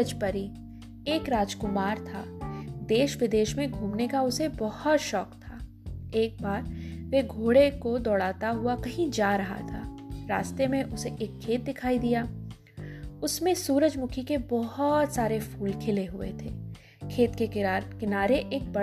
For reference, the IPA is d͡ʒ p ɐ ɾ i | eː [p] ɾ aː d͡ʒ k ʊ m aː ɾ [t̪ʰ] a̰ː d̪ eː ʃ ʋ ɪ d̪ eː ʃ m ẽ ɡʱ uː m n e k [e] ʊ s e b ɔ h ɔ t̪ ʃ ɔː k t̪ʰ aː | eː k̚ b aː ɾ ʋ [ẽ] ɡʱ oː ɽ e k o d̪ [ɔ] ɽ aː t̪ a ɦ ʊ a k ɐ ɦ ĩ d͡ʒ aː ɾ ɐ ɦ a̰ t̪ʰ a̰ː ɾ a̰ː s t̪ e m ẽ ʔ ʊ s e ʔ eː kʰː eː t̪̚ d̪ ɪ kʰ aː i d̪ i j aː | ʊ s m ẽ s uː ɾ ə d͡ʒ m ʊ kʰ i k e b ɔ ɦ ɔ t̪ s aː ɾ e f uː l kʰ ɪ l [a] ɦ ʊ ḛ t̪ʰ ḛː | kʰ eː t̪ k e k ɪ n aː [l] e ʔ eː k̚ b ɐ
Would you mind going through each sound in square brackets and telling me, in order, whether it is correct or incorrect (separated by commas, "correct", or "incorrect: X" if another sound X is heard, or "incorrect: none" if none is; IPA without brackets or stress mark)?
incorrect: k, correct, incorrect: a, incorrect: e, incorrect: ɔː, incorrect: e, incorrect: ɾ